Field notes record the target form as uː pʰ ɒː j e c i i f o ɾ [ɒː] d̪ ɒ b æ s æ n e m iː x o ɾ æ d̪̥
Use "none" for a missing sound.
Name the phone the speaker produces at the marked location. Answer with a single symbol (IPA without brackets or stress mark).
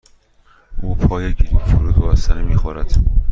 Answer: uː